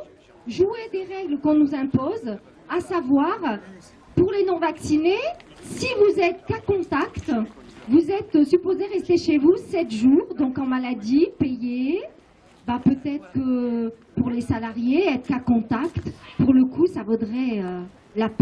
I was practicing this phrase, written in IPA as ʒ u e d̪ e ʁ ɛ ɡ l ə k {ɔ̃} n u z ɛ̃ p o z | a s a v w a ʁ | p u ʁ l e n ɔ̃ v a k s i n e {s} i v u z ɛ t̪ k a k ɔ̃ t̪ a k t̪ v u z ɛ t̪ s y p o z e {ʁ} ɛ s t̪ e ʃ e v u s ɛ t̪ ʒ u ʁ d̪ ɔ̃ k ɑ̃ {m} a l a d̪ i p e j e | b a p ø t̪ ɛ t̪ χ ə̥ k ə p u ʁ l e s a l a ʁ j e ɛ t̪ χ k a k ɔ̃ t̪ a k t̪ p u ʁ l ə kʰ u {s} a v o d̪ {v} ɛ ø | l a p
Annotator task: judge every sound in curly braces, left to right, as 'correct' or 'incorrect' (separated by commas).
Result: correct, correct, correct, correct, correct, incorrect